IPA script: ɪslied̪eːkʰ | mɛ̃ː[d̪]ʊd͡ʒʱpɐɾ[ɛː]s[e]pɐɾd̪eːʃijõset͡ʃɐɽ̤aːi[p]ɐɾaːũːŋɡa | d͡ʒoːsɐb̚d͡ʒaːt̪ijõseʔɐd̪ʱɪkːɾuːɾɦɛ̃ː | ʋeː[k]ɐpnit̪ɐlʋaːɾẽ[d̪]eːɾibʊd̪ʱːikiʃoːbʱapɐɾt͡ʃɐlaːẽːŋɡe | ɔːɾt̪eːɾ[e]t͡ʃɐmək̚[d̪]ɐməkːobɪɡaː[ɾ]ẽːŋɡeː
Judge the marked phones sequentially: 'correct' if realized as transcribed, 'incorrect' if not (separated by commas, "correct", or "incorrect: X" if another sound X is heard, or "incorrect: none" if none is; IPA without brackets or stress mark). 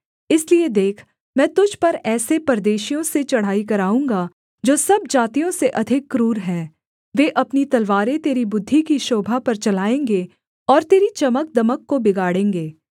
incorrect: t̪, correct, correct, incorrect: k, incorrect: ʔ, incorrect: t̪, incorrect: i, correct, incorrect: ɽ